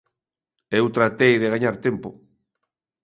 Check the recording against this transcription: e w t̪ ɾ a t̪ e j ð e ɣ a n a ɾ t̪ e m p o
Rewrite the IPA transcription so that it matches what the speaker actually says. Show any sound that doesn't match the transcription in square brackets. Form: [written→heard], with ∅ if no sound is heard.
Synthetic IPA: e w t̪ ɾ a t̪ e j ð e ɣ a [n→ɲ] a ɾ t̪ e m p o

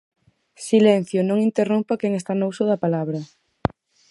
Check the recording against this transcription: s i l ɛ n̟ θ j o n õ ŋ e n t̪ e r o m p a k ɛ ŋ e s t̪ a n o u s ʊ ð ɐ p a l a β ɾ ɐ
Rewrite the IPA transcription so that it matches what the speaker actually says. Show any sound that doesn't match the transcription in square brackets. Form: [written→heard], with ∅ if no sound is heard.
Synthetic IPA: s i l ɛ n̟ θ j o n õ ŋ [e→i] n t̪ e r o m p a k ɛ ŋ e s t̪ a n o u s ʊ ð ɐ p a l a β ɾ ɐ

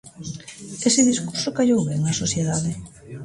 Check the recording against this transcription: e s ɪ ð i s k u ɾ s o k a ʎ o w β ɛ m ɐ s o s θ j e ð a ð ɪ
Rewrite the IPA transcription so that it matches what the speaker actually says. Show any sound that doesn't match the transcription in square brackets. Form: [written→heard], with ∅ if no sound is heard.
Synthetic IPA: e s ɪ ð i s k u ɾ s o k a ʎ o w β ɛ [m→ŋ] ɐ s o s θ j e ð a ð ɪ

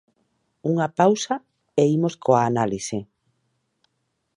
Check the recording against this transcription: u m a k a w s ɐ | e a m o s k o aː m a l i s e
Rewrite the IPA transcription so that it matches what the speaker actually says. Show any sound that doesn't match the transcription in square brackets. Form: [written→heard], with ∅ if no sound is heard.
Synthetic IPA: u [m→ŋ] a [k→p] a w s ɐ | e [a→i] m o s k o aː [m→n] a l i s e

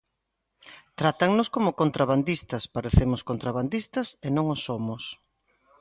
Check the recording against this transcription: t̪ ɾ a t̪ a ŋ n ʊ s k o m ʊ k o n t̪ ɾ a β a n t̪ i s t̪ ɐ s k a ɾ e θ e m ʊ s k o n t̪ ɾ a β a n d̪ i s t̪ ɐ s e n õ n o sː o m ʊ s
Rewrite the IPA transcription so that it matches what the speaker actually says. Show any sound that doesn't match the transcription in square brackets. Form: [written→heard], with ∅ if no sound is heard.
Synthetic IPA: t̪ ɾ a t̪ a ŋ n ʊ s k o m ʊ k o n t̪ ɾ a β a n [t̪→d̪] i s t̪ ɐ s [k→p] a ɾ e θ e m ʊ s k o n t̪ ɾ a β a n d̪ i s t̪ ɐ s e n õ [n→ŋ] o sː o m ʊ s

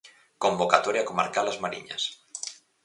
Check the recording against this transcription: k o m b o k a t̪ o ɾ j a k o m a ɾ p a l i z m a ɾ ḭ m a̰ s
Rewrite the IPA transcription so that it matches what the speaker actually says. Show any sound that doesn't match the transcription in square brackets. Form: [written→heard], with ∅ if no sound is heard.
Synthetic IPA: k o m b o k a t̪ o ɾ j a k o m a ɾ [p→k] a l [i→a] z m a ɾ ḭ [m→ɲ] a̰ s

